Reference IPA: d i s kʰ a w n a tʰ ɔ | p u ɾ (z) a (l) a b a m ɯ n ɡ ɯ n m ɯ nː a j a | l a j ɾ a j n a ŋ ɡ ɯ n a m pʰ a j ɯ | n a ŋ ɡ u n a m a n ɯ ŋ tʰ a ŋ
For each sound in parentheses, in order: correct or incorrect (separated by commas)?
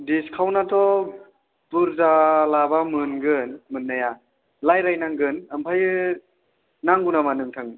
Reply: correct, correct